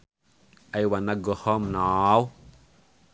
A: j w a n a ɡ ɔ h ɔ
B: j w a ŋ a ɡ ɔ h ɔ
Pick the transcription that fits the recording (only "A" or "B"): A